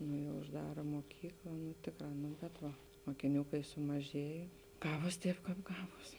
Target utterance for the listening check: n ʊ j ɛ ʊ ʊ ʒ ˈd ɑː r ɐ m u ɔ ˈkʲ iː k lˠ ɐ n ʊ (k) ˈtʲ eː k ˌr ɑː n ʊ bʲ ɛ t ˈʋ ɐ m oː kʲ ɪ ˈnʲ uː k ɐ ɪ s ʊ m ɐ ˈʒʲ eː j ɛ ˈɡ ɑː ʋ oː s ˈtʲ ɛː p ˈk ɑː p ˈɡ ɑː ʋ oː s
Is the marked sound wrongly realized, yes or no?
yes